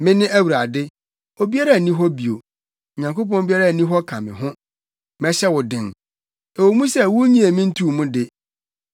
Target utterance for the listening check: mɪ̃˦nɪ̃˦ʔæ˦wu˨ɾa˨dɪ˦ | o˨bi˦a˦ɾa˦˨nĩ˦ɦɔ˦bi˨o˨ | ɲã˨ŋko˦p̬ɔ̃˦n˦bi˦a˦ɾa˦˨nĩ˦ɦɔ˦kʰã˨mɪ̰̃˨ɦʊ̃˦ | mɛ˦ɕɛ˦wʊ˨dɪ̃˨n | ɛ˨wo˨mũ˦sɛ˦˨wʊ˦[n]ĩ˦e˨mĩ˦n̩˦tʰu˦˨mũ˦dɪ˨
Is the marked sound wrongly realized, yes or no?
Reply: yes